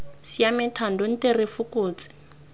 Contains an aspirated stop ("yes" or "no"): yes